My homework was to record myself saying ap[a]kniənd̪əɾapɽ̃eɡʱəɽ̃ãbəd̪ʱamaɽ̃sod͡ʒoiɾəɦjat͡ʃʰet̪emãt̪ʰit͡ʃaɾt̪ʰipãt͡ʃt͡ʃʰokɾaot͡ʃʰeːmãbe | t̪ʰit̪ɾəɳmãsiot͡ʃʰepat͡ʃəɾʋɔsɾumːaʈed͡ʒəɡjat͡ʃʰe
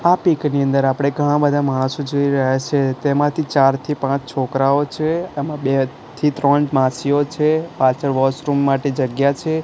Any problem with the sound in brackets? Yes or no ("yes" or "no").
yes